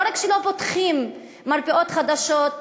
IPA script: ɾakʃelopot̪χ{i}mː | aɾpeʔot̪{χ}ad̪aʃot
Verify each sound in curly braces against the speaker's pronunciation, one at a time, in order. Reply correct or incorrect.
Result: correct, correct

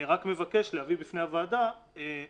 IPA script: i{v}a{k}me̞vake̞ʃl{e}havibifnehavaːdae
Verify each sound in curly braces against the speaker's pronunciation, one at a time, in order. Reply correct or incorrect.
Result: incorrect, correct, correct

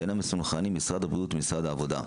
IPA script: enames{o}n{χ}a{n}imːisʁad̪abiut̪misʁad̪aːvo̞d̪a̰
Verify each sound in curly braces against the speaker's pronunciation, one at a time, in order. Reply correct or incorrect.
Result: incorrect, correct, correct

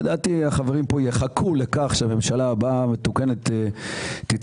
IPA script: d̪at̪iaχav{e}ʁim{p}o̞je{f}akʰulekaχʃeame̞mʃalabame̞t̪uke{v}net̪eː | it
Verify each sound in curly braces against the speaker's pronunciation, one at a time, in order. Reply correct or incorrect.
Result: correct, correct, incorrect, incorrect

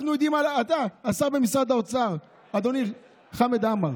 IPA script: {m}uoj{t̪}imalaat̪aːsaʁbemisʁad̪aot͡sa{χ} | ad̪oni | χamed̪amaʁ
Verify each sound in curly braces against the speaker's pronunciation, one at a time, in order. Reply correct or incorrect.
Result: incorrect, incorrect, incorrect

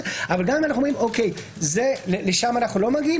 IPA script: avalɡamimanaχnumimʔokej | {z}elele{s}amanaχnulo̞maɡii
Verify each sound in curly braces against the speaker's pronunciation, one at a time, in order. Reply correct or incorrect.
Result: correct, incorrect

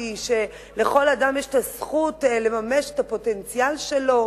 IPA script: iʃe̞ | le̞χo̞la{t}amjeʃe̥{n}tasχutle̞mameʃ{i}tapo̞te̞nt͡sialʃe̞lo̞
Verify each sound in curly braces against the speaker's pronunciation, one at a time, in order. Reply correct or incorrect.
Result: incorrect, incorrect, incorrect

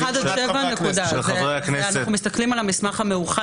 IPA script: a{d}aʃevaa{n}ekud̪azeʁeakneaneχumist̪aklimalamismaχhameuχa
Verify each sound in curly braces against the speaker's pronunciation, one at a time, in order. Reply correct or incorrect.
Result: correct, correct

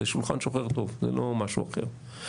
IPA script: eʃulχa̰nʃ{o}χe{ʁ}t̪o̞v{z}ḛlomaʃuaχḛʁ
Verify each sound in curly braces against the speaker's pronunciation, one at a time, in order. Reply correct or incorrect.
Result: correct, correct, correct

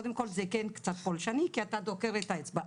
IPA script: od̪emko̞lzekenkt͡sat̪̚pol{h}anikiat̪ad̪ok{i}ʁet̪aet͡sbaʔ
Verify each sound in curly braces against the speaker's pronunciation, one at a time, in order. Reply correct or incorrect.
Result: incorrect, incorrect

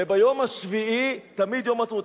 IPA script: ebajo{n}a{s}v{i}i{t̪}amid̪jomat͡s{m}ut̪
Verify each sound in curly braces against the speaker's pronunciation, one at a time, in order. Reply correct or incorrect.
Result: incorrect, incorrect, correct, correct, correct

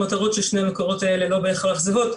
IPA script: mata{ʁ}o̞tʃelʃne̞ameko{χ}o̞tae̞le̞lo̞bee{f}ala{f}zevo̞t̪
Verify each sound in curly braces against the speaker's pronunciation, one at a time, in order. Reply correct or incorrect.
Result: correct, incorrect, incorrect, incorrect

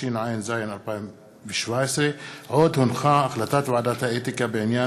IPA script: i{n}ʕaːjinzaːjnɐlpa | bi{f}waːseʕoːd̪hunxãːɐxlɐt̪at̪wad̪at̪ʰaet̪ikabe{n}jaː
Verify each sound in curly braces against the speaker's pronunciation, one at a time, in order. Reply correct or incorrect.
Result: correct, incorrect, correct

